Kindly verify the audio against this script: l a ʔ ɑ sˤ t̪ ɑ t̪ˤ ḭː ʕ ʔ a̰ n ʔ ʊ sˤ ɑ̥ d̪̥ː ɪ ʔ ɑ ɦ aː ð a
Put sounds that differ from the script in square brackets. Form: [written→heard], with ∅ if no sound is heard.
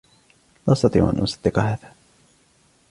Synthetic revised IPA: l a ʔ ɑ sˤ t̪ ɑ t̪ˤ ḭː ʕ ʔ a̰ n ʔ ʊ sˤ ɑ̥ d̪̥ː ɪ [ʔ→q] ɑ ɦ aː ð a

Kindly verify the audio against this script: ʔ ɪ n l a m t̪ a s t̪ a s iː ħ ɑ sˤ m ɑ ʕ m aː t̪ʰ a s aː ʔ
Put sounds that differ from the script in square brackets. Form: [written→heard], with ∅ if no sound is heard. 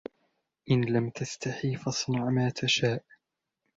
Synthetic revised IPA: ʔ ɪ n l a m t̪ a s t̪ a [s→ħ] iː [ħ→f] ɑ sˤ [m→n] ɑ ʕ m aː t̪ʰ a [s→ʃ] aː ʔ

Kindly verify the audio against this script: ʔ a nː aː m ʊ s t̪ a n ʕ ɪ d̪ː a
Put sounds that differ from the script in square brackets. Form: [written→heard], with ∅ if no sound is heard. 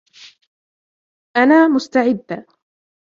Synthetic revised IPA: ʔ a [nː→n] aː m ʊ s t̪ a [n→∅] ʕ ɪ d̪ː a

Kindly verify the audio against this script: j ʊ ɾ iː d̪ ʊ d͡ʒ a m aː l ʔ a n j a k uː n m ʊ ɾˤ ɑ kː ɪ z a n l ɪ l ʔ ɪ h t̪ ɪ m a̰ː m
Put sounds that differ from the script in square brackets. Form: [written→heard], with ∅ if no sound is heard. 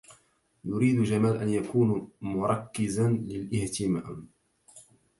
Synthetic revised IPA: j ʊ ɾ iː d̪ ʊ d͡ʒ a m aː l ʔ a n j a k uː n m ʊ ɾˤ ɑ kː ɪ z a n l ɪ l ʔ ɪ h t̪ ɪ m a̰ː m

